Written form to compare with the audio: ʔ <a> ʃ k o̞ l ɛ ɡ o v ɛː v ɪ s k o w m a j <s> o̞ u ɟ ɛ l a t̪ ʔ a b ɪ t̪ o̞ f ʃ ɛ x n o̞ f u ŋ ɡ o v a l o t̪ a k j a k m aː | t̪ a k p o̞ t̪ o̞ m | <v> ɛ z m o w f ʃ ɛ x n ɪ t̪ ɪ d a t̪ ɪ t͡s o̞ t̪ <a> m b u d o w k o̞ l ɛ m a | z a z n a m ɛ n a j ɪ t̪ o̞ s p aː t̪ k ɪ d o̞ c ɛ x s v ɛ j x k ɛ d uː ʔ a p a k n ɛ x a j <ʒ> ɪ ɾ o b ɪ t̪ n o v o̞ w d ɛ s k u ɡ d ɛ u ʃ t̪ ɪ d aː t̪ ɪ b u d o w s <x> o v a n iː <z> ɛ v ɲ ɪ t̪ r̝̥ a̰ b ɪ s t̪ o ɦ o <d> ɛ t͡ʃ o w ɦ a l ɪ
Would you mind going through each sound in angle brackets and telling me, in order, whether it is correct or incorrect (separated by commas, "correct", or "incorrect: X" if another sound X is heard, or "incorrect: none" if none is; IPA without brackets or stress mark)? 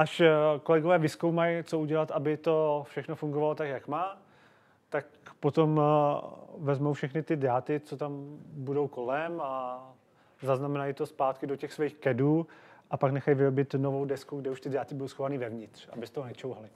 correct, incorrect: t͡s, correct, correct, incorrect: v, correct, incorrect: v, incorrect: n